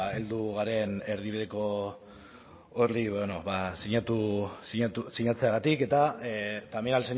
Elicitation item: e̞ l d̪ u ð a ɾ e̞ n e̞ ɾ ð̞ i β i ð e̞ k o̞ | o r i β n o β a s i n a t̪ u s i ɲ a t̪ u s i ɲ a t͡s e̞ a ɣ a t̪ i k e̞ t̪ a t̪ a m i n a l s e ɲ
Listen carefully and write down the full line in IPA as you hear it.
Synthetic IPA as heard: e̞ l d̪ u ɣ a ɾ e̞ n e̞ ɾ ð̞ i β i ð e̞ k o̞ | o r i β n o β a s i ɲ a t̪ u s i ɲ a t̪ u s i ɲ a t͡s e̞ a ɣ a t̪ i k e̞ t̪ a t̪ a m i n a l s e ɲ